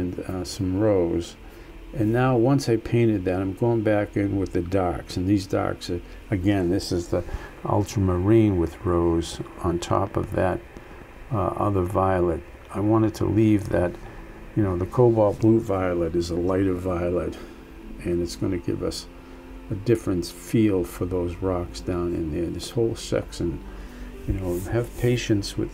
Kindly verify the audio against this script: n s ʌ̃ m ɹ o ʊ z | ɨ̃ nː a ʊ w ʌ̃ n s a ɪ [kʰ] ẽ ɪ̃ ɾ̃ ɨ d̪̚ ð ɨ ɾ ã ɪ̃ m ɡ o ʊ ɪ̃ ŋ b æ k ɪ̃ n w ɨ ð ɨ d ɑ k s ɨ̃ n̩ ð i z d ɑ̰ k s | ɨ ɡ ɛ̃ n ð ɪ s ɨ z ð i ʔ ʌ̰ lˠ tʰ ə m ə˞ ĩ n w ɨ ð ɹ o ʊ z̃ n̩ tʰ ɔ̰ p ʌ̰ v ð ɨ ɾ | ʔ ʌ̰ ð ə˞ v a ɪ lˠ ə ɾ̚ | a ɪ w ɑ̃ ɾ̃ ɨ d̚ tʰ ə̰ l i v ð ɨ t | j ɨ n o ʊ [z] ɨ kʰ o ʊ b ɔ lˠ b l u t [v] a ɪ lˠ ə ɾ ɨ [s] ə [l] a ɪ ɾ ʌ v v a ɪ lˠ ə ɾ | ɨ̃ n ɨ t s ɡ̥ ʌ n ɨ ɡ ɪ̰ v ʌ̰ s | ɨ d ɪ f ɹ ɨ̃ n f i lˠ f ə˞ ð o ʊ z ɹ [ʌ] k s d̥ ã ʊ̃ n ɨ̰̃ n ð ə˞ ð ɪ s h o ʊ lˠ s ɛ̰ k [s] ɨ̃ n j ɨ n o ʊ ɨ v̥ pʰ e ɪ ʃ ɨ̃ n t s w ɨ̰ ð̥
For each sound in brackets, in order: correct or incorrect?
incorrect, incorrect, correct, incorrect, correct, incorrect, correct

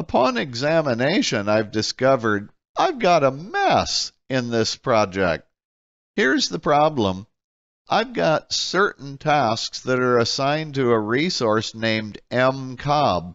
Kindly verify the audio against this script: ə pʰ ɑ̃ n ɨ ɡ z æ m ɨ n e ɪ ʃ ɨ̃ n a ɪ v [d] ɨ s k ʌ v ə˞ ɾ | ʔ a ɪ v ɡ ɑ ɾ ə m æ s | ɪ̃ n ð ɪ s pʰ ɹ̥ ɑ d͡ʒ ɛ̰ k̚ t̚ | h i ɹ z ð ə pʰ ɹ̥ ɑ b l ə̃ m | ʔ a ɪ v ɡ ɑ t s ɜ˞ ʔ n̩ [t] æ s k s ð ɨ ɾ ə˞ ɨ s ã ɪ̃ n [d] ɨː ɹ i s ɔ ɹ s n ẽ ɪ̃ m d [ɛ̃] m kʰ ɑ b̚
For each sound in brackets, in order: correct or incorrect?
correct, incorrect, incorrect, correct

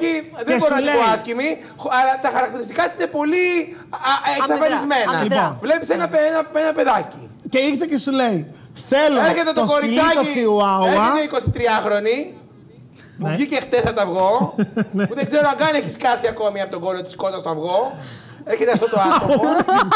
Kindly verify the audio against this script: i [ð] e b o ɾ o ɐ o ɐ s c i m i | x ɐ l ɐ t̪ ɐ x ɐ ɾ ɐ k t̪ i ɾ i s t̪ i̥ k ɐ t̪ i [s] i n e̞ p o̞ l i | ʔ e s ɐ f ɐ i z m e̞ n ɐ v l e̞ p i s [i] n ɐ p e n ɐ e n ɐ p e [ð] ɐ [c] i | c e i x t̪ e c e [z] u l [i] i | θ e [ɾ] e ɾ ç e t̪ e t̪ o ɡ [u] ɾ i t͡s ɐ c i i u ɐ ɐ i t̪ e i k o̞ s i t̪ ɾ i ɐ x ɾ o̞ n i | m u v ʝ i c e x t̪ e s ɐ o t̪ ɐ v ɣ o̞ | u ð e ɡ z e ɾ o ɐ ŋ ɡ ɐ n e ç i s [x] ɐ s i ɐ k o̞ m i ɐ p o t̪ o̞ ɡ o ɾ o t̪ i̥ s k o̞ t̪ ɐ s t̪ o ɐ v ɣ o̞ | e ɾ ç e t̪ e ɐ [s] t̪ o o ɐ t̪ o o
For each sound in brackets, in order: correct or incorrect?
correct, correct, incorrect, correct, correct, incorrect, incorrect, incorrect, incorrect, incorrect, incorrect

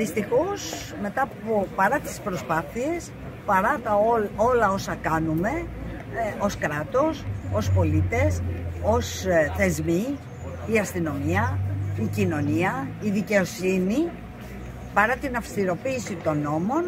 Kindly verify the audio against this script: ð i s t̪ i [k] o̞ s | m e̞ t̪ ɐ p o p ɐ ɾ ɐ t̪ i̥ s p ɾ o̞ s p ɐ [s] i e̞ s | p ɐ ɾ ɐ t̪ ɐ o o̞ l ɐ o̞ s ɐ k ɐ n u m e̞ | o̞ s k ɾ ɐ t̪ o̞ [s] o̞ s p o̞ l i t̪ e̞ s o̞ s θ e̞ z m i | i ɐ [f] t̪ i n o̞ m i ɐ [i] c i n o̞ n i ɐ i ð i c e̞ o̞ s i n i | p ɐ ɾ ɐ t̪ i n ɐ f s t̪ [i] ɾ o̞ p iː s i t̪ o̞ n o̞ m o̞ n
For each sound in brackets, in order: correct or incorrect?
incorrect, incorrect, correct, incorrect, correct, correct

